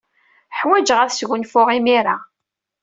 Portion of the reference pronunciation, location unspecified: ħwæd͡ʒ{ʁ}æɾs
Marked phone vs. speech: correct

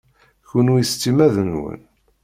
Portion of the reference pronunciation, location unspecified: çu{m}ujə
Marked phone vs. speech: incorrect: n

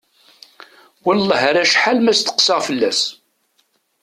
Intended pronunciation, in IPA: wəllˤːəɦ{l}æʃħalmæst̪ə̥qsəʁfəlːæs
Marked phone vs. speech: incorrect: ɾ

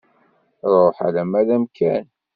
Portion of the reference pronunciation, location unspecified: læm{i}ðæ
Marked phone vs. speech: incorrect: æ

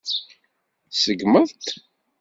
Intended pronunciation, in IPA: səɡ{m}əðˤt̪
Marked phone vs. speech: correct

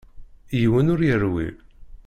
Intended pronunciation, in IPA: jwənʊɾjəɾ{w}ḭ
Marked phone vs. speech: correct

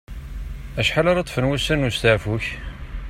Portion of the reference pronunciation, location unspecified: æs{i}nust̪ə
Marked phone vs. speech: incorrect: æ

